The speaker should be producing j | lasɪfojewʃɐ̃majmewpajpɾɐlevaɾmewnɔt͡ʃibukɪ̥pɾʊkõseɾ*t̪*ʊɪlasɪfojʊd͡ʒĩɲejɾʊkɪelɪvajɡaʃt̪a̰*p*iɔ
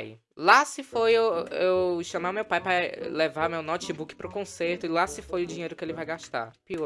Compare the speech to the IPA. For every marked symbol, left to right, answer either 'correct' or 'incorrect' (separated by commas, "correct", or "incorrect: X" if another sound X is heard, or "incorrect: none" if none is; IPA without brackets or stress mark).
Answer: correct, correct